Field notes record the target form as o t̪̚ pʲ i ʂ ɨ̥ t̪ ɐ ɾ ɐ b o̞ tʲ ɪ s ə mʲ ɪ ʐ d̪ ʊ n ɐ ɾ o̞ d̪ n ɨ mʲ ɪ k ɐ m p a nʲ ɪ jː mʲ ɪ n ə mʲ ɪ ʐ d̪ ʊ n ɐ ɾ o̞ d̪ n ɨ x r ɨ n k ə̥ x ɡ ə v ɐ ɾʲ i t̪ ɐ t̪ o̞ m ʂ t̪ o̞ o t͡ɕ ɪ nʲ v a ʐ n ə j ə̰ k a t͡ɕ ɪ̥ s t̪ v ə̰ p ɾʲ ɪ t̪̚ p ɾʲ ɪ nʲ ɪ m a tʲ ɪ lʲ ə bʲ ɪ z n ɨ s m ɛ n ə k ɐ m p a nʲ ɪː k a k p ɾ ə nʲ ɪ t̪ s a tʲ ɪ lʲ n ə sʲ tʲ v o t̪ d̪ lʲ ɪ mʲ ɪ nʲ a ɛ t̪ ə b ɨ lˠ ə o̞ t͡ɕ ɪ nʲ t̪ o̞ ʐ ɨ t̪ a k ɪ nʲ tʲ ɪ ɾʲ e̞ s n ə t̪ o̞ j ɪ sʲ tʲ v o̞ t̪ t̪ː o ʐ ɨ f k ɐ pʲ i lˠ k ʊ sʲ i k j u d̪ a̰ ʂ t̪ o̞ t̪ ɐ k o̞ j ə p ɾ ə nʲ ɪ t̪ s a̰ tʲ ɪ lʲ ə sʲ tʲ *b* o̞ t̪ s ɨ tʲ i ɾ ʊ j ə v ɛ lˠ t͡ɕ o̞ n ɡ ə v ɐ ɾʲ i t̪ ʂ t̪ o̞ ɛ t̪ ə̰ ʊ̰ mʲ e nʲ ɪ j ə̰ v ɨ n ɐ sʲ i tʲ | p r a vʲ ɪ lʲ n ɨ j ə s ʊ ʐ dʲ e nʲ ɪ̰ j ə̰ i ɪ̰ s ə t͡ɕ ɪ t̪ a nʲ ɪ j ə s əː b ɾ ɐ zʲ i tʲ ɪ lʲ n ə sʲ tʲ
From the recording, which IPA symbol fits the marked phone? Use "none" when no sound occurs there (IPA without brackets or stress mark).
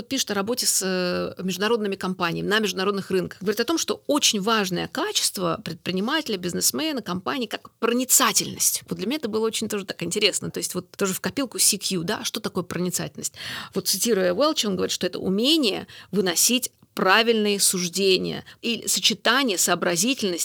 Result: v